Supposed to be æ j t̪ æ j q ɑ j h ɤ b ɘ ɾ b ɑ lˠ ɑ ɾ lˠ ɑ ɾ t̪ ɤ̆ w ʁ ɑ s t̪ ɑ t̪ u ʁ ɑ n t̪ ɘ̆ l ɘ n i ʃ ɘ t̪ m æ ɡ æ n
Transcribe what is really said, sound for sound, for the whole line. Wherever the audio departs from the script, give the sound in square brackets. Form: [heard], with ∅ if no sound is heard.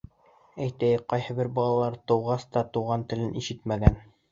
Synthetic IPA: æ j t̪ æ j q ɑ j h ɤ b ɘ ɾ b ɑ lˠ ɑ [∅] lˠ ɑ ɾ t̪ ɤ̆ w ʁ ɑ s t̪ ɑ t̪ u ʁ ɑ n t̪ ɘ̆ l ɘ n i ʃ ɘ t̪ m æ ɡ æ n